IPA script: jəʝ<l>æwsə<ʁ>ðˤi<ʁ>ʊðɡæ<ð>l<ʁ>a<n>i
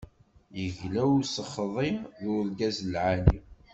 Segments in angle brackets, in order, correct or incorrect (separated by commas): correct, incorrect, incorrect, incorrect, incorrect, correct